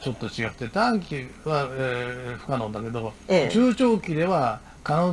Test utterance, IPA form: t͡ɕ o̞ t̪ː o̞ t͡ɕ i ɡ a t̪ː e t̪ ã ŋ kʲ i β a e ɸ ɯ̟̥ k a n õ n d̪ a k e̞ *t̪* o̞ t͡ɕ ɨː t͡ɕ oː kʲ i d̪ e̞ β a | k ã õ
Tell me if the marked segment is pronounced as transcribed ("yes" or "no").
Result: no